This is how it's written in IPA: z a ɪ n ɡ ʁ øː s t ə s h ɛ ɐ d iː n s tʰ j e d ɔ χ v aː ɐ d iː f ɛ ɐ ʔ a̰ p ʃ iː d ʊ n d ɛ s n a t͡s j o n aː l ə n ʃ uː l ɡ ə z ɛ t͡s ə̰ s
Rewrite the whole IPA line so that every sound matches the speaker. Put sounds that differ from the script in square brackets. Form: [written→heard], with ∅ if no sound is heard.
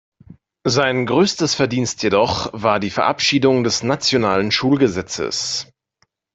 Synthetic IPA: z a ɪ n ɡ ʁ øː s t ə s [h→f] ɛ ɐ d iː n s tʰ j e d ɔ χ v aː ɐ d iː f ɛ ɐ ʔ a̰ p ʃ iː d ʊ [n→ŋ] d ɛ s n a t͡s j o n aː l ə n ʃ uː l ɡ ə z ɛ t͡s ə̰ s

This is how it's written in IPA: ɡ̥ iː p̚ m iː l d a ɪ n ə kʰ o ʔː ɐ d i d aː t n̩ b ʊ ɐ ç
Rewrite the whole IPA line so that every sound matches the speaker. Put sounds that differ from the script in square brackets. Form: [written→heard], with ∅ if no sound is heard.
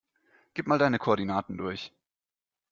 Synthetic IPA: ɡ̥ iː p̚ m [iː→aː] l d a ɪ n ə kʰ o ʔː ɐ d i [d→n] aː t n̩ [b→d] ʊ ɐ ç

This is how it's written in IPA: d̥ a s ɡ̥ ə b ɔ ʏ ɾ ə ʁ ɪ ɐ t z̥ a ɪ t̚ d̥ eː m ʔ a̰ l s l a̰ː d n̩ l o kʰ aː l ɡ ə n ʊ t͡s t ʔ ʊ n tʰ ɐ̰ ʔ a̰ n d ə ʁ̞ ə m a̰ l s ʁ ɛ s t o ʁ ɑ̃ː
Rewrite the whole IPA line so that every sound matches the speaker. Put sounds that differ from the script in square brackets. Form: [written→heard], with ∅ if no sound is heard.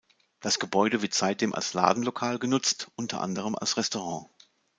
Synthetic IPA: d̥ a s ɡ̥ ə b ɔ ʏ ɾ ə [ʁ→v] ɪ ɐ t z̥ a ɪ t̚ d̥ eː m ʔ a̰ l s l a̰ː d n̩ l o kʰ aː l ɡ ə n ʊ t͡s t ʔ ʊ n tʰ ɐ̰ ʔ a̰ n d ə ʁ̞ ə m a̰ l s ʁ ɛ s t o ʁ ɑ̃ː

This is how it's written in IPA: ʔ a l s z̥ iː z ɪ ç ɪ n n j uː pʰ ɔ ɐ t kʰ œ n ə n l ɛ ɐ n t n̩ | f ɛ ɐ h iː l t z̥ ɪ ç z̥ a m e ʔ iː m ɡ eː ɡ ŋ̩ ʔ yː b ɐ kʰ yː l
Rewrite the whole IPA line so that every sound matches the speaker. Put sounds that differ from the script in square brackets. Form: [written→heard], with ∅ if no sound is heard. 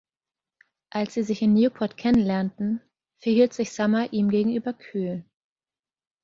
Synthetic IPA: ʔ a l s z̥ iː z ɪ ç ɪ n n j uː pʰ ɔ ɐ t kʰ [œ→ɛ] n ə n l ɛ ɐ n t n̩ | f ɛ ɐ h iː l t z̥ ɪ ç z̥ a m [e→a] ʔ iː m ɡ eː ɡ ŋ̩ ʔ yː b ɐ kʰ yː l

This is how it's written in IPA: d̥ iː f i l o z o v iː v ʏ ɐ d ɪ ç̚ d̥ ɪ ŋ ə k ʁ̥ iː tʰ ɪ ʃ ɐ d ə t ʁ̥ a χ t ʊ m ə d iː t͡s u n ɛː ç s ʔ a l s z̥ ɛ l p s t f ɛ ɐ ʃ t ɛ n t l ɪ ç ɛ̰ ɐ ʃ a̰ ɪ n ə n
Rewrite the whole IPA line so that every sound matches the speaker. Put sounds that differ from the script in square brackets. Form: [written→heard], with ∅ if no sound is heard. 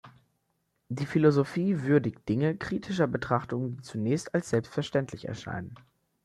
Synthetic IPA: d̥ iː f i l o z o [v→f] iː v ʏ ɐ d ɪ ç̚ d̥ ɪ ŋ ə k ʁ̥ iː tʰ ɪ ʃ ɐ [d→b] ə t ʁ̥ a χ t ʊ [m→ŋ] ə d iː t͡s u n ɛː ç s [ʔ→t] a l s z̥ ɛ l p s t f ɛ ɐ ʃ t ɛ n t l ɪ ç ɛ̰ ɐ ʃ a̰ ɪ n ə n

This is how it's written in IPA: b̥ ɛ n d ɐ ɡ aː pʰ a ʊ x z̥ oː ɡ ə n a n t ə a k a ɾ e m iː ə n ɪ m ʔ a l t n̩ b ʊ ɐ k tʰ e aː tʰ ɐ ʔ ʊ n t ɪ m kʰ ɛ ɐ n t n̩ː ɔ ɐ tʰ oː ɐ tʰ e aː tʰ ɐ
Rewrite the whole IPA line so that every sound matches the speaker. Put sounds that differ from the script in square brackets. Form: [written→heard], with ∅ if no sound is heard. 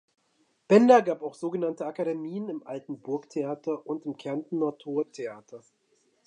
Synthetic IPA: b̥ ɛ n d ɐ ɡ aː [pʰ→p] a ʊ x z̥ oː ɡ ə n a n t ə a k a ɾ e m iː ə n ɪ m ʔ a l t n̩ b ʊ ɐ k tʰ e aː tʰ ɐ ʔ ʊ n t ɪ m kʰ ɛ ɐ n t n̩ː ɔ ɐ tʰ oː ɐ tʰ e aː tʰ ɐ

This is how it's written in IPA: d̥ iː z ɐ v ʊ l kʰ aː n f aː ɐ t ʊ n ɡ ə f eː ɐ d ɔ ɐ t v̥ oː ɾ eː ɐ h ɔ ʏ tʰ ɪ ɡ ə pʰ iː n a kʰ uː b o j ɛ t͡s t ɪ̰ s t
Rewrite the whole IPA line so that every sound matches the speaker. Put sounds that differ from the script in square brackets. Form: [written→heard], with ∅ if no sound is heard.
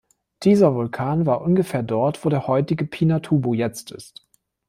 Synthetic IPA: d̥ iː z ɐ v ʊ l kʰ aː n [f→v] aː ɐ [t→ʔ] ʊ n ɡ ə f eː ɐ d ɔ ɐ t v̥ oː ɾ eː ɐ h ɔ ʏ [tʰ→t] ɪ ɡ ə pʰ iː n a [kʰ→tʰ] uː b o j ɛ t͡s t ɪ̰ s t

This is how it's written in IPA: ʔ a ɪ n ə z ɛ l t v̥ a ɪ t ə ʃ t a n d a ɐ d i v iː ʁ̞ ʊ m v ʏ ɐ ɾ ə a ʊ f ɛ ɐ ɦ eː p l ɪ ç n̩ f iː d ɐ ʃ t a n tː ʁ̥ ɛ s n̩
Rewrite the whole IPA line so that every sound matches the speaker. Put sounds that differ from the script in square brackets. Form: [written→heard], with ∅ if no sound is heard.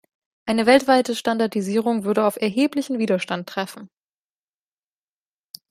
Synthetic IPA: ʔ a ɪ n ə [z→v] ɛ l t v̥ a ɪ t ə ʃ t a n d a ɐ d i [v→z] iː ʁ̞ ʊ [m→ŋ] v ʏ ɐ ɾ ə a ʊ f ɛ ɐ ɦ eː p l ɪ ç n̩ [f→v] iː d ɐ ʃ t a n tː ʁ̥ ɛ [s→f] n̩

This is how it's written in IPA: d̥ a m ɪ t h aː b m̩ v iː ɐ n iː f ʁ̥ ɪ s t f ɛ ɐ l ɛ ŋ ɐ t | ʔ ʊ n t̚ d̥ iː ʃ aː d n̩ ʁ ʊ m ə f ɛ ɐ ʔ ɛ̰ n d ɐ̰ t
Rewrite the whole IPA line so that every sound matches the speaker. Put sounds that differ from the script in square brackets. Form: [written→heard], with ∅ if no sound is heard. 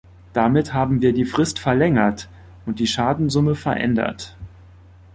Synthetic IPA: d̥ a m ɪ t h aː b m̩ v iː ɐ [n→d] iː f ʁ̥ ɪ s t f ɛ ɐ l ɛ ŋ ɐ t | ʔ ʊ n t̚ d̥ iː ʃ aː d n̩ [ʁ→z] ʊ m ə f ɛ ɐ ʔ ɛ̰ n d ɐ̰ t

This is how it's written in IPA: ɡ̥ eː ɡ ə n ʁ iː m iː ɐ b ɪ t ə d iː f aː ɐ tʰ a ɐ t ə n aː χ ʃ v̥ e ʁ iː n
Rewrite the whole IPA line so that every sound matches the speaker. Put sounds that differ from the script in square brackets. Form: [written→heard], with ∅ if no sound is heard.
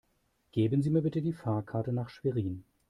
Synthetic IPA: ɡ̥ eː [ɡ→b] ə n [ʁ→z] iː m iː ɐ b ɪ t ə d iː f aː ɐ [tʰ→kʰ] a ɐ t ə n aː χ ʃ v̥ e ʁ iː n

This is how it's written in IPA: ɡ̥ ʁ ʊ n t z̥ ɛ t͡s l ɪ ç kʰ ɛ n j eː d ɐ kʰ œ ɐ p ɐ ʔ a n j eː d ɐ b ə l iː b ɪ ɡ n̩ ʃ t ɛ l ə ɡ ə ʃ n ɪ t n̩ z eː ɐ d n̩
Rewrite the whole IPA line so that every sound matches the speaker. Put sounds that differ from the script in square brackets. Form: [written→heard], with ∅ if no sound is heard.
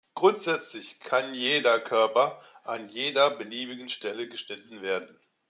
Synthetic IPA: ɡ̥ ʁ ʊ n t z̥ ɛ t͡s l ɪ ç kʰ [ɛ→a] n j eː d ɐ kʰ œ ɐ p ɐ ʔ a n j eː d ɐ b ə l iː b ɪ ɡ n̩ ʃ t ɛ l ə ɡ ə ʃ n ɪ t n̩ [z→v] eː ɐ d n̩

